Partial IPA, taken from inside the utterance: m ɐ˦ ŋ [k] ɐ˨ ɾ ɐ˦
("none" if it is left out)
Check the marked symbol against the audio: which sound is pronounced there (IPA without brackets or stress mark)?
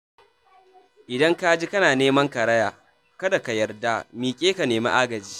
k